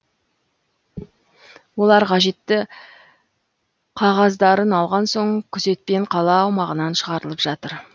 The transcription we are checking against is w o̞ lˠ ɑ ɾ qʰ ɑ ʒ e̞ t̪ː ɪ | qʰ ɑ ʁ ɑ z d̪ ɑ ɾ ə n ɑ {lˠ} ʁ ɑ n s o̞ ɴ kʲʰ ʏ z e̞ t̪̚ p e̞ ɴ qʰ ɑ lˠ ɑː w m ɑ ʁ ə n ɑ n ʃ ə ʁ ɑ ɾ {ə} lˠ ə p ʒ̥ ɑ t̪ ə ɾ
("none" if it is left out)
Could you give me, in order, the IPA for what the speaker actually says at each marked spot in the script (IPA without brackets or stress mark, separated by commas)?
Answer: lˠ, ə